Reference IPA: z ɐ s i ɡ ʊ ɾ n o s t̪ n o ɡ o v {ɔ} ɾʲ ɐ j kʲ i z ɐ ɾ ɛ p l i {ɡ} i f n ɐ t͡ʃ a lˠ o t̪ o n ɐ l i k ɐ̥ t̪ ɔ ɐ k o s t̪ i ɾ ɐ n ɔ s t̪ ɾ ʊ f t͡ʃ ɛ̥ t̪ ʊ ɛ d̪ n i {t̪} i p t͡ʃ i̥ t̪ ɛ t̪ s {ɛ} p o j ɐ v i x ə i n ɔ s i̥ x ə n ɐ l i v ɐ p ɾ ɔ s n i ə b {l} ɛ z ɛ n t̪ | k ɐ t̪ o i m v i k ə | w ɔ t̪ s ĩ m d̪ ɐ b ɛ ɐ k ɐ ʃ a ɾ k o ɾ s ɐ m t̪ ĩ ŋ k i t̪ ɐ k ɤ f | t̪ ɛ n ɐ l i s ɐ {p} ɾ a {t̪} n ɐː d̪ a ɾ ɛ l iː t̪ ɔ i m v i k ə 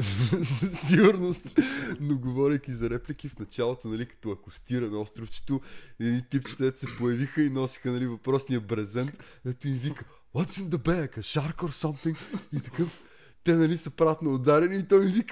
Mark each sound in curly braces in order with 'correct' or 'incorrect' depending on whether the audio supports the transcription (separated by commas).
correct, incorrect, correct, correct, incorrect, correct, correct